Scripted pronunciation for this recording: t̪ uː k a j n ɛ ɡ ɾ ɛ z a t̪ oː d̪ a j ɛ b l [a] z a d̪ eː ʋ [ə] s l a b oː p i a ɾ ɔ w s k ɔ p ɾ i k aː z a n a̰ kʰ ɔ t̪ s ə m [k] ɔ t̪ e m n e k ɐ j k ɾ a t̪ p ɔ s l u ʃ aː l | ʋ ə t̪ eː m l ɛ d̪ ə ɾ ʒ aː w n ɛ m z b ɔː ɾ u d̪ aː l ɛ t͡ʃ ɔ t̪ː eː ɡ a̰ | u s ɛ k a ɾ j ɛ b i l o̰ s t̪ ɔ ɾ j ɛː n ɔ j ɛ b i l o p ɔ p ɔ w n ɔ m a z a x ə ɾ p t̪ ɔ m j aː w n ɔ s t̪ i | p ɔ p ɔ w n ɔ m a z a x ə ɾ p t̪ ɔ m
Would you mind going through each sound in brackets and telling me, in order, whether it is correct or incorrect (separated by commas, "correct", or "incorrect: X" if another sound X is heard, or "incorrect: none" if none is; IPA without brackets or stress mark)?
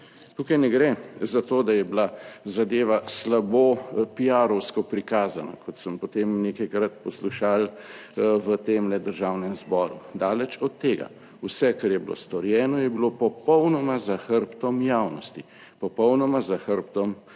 correct, incorrect: a, incorrect: p